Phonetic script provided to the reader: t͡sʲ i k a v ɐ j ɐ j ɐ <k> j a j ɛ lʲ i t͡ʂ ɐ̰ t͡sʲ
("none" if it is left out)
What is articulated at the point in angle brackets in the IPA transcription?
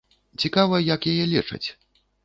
k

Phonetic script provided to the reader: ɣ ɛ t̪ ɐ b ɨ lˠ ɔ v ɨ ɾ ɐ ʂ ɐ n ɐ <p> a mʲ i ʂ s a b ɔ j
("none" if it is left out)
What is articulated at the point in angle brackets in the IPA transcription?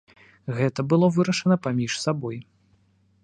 p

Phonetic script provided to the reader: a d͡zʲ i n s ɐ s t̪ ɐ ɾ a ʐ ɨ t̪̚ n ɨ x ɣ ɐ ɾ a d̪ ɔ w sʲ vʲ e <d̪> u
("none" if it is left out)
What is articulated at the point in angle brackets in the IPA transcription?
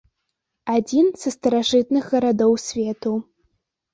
t̪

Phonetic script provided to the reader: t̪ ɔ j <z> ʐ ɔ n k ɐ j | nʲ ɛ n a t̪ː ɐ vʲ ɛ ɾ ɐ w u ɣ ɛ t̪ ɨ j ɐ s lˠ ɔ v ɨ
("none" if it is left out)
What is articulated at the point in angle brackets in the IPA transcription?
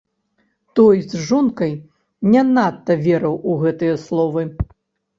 z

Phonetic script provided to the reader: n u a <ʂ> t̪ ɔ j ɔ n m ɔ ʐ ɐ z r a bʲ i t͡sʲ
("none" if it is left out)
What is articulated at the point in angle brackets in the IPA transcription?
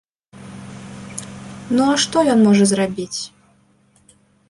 ʂ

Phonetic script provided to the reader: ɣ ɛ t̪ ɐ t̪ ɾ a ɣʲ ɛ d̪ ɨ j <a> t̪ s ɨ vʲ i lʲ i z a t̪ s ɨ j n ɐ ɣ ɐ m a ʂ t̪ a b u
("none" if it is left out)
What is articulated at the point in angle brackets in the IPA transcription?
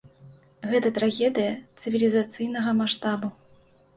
ɐ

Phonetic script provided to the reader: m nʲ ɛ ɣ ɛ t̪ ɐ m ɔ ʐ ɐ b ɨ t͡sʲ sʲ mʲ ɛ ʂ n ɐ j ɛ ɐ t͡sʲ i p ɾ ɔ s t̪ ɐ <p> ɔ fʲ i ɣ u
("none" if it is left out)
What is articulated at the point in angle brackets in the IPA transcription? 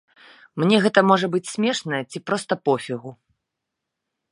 p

